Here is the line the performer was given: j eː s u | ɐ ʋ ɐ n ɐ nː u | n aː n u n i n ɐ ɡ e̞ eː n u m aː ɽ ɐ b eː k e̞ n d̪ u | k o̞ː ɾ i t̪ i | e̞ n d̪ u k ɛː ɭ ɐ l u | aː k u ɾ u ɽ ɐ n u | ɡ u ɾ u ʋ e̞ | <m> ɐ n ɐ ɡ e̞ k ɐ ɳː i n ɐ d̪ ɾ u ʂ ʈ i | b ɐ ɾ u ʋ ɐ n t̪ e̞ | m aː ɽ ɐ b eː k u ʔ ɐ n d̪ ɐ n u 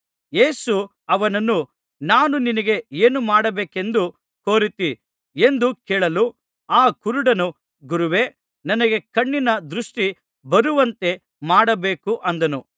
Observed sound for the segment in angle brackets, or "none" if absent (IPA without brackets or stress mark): n